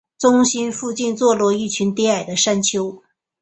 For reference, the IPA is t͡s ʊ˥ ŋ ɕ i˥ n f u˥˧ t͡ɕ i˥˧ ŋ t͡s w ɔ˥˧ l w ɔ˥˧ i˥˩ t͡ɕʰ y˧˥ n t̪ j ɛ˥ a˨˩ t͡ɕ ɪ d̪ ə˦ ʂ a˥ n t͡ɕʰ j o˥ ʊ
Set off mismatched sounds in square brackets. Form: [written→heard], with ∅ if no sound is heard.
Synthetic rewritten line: t͡s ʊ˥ ŋ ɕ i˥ n f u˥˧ t͡ɕ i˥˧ [ŋ→n] t͡s w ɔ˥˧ l w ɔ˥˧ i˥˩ t͡ɕʰ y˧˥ n t̪ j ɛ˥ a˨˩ [t͡ɕ→∅] ɪ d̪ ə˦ ʂ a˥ n t͡ɕʰ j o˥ ʊ